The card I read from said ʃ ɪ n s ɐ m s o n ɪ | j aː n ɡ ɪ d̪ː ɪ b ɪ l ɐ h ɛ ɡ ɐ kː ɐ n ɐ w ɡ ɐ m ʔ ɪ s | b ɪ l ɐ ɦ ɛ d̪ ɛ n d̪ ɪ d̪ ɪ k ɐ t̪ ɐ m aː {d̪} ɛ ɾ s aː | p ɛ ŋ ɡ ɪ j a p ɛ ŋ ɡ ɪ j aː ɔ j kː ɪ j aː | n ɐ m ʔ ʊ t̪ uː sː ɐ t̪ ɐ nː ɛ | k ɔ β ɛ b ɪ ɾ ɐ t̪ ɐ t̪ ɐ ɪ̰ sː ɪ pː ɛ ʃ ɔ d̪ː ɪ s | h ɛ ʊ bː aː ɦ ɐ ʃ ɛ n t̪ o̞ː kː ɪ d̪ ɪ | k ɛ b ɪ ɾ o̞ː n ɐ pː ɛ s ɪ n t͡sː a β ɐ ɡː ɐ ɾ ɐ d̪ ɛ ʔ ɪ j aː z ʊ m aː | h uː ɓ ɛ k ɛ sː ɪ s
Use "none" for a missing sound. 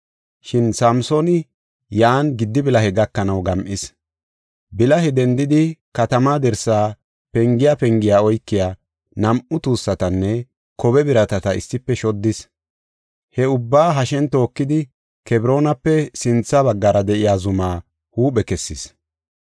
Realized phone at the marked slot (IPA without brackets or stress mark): d̪